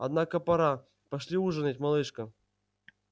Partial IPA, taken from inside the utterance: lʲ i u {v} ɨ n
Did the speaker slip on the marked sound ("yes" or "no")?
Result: yes